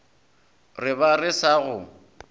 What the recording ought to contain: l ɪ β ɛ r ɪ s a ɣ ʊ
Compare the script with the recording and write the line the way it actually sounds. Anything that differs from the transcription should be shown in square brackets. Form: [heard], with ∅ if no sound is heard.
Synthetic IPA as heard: [r] ɪ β [a] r ɪ s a ɣ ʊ